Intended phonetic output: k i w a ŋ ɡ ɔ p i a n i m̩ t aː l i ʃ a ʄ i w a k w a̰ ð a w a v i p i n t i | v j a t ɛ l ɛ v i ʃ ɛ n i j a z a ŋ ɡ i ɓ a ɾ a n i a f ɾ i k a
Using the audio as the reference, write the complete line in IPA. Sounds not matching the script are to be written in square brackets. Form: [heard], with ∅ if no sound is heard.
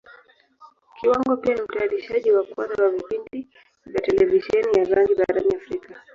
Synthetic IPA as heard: k i w a ŋ ɡ ɔ p i a n i m̩ t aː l i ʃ a ʄ i w a k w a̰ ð a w a v i p i n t i | v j a t ɛ l ɛ v i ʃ ɛ n i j a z a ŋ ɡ i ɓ a ɾ a n i a f ɾ i k a